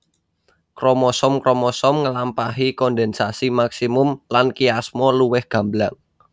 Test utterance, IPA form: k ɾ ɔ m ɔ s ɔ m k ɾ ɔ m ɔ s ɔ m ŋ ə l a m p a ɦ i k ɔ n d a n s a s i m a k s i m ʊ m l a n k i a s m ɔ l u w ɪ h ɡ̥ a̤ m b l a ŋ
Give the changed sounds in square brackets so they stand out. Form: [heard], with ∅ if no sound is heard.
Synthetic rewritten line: k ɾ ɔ m ɔ s ɔ m k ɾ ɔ m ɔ s ɔ m ŋ ə l a m p a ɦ i k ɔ n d [ɛ] n s a s i m a k s i m ʊ m l a n k i a s m ɔ l u w ɪ h ɡ̥ a̤ m b l a ŋ